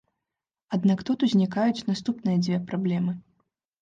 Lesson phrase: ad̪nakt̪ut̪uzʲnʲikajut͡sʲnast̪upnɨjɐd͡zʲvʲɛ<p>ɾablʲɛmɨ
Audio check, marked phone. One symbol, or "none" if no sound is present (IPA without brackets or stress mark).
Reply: p